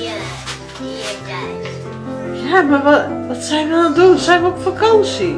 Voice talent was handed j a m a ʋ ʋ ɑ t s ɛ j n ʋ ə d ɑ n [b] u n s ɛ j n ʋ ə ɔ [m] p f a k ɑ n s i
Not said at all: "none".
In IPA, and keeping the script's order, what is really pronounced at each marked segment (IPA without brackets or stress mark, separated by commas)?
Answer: d, none